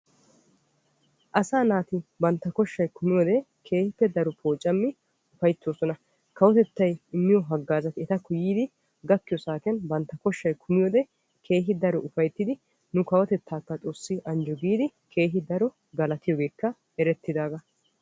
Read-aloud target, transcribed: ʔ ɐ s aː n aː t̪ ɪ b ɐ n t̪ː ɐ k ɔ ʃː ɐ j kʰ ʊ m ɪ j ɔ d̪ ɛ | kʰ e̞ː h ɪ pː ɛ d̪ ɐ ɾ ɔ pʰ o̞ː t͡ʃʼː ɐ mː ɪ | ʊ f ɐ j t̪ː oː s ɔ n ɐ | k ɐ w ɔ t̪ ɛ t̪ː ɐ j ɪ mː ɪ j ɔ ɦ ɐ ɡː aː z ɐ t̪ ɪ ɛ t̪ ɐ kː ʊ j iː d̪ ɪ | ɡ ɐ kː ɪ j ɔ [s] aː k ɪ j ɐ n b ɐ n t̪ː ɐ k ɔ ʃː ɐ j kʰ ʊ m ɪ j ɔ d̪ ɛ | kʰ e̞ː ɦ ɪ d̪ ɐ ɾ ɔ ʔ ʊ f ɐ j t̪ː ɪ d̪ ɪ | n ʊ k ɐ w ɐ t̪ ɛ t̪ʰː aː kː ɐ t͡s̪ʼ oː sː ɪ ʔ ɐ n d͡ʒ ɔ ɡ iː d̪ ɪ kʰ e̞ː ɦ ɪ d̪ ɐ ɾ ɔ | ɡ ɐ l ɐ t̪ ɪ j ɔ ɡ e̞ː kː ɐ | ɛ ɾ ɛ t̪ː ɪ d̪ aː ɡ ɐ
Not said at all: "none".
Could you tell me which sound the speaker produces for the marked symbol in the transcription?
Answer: s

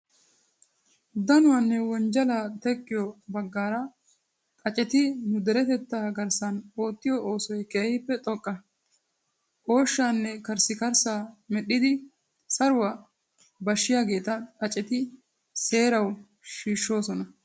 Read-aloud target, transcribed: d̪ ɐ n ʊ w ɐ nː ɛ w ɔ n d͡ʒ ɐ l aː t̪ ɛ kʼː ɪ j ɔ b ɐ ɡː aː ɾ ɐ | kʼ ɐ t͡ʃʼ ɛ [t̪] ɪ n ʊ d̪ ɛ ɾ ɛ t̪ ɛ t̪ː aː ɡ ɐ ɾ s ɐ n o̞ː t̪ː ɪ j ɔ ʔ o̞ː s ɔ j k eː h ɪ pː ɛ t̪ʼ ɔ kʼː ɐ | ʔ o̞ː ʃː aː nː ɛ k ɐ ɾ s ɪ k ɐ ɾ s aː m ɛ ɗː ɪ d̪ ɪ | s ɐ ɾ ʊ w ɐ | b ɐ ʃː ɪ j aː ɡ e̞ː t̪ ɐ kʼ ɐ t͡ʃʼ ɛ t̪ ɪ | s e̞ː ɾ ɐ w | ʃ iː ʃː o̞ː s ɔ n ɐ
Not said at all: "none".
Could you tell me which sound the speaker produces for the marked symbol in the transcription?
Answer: t̪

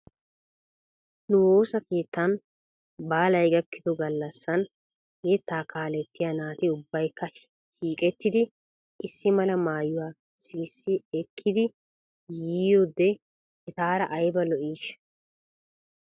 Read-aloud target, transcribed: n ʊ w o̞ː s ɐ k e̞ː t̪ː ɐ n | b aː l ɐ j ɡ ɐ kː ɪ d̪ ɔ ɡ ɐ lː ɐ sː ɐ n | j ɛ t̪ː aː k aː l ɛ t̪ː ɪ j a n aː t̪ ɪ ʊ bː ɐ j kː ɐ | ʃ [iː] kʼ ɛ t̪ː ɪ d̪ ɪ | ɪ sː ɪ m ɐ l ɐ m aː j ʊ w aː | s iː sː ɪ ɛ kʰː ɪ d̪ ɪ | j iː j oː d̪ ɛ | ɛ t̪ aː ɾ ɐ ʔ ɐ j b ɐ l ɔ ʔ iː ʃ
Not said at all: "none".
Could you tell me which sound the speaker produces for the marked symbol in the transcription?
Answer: iː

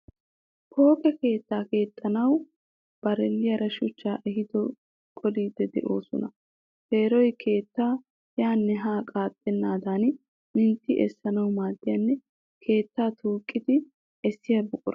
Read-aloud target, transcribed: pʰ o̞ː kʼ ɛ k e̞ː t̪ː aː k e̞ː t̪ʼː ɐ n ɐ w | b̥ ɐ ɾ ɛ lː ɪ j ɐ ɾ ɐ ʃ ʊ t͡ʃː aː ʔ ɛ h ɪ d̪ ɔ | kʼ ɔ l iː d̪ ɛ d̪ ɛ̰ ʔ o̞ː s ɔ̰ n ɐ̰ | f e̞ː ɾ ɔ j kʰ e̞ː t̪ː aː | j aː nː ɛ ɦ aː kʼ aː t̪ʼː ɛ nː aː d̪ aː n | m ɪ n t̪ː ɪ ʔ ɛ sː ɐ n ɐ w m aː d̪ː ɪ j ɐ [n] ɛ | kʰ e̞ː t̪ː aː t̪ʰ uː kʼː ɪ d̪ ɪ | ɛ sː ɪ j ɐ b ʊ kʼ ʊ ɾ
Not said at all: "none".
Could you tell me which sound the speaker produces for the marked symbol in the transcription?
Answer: nː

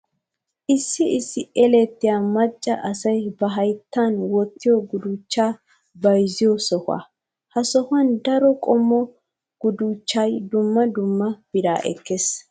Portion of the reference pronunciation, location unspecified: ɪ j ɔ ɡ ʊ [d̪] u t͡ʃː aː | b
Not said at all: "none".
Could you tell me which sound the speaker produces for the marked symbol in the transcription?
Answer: d̪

